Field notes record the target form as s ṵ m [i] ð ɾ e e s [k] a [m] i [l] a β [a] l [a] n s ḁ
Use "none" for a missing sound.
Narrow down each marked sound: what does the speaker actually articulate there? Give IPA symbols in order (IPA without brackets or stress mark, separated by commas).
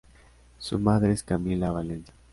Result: a, k, m, l, a, e